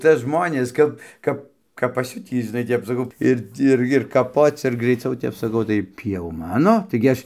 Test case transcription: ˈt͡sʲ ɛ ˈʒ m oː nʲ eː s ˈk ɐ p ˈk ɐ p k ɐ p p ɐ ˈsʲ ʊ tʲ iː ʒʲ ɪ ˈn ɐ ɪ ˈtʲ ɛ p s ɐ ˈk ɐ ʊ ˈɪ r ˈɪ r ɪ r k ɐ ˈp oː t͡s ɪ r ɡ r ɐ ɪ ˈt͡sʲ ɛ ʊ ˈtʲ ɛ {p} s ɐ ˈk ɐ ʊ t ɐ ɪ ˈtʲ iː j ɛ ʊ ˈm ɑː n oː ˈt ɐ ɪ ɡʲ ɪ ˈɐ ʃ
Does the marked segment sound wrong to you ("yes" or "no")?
no